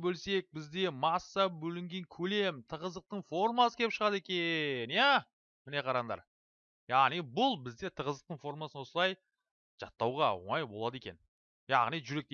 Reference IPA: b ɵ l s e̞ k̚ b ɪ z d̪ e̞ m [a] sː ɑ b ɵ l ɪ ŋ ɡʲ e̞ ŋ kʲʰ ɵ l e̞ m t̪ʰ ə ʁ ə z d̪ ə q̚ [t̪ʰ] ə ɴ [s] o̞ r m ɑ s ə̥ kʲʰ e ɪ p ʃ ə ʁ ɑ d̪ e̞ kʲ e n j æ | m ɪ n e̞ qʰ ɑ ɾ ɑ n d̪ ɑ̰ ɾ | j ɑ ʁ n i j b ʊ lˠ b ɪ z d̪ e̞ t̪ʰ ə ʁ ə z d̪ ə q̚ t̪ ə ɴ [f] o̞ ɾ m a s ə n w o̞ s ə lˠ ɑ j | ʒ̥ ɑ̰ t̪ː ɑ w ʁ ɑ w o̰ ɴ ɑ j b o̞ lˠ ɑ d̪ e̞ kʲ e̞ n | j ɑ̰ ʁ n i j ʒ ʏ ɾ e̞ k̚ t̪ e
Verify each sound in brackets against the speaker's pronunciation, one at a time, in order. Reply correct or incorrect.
incorrect, incorrect, incorrect, correct

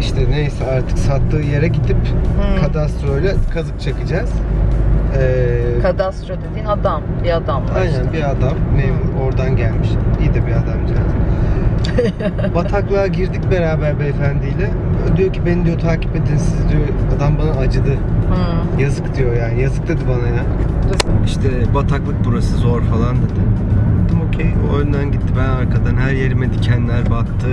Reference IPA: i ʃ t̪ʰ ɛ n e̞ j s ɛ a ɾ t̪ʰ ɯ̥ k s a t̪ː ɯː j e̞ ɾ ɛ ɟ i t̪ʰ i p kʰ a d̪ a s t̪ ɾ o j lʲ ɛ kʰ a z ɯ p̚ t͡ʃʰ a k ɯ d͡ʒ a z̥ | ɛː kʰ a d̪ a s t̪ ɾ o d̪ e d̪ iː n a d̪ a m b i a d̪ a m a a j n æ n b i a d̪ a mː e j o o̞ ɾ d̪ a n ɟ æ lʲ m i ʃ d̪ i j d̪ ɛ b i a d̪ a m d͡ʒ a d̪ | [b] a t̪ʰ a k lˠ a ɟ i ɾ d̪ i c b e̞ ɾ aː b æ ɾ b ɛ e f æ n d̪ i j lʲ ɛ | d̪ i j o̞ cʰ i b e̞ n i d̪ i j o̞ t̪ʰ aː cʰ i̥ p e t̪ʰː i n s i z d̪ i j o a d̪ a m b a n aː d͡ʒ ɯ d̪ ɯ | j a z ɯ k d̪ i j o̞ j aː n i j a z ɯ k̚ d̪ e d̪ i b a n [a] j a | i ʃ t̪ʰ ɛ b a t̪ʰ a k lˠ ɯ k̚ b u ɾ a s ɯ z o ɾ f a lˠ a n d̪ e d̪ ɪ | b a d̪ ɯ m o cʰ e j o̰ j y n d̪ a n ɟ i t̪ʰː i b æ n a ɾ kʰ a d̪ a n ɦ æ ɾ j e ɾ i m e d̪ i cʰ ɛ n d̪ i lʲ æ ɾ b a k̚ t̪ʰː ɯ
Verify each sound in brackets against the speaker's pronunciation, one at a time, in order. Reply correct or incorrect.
correct, correct

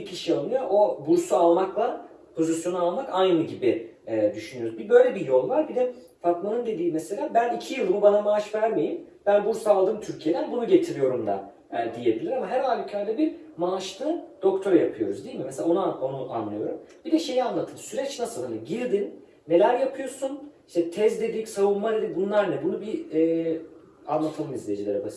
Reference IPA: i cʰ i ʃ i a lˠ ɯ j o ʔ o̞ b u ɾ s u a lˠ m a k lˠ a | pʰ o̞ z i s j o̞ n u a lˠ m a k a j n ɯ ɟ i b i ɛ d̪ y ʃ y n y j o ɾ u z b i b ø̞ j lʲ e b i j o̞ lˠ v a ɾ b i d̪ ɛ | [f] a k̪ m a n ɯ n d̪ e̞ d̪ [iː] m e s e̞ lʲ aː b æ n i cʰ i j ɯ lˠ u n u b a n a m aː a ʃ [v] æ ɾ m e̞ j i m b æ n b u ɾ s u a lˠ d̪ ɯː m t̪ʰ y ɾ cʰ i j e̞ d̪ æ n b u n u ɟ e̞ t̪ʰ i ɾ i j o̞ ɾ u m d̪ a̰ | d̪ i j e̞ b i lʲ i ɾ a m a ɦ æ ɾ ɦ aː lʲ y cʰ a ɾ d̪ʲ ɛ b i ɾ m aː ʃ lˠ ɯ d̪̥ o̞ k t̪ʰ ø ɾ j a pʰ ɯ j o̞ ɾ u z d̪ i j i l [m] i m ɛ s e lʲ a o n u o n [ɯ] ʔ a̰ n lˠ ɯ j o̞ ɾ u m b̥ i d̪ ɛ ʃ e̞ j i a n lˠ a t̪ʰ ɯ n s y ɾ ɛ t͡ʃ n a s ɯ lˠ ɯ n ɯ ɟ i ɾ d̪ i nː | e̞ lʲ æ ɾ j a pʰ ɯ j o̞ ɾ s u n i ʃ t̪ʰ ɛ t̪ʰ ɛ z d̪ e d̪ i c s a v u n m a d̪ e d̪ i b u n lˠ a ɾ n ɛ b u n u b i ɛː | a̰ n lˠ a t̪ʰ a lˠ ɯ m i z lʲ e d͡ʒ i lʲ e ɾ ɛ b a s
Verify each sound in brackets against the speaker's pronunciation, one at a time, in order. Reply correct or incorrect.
correct, correct, correct, correct, incorrect

